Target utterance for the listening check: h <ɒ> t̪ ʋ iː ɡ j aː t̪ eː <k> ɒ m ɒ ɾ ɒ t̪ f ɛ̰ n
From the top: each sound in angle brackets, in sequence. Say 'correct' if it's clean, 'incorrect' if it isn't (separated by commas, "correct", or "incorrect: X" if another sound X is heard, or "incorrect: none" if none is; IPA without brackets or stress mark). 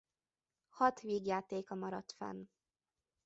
correct, correct